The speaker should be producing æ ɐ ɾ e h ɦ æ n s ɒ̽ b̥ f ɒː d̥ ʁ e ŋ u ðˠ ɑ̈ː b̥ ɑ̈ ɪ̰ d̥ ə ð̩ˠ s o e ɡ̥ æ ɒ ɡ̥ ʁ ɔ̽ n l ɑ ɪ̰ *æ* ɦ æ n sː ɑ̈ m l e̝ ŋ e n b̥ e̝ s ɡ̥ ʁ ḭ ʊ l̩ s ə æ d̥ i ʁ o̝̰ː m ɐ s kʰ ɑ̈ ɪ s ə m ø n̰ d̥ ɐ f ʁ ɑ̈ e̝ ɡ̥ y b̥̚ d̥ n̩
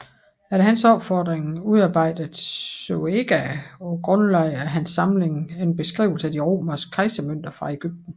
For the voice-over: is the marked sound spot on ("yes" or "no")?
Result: yes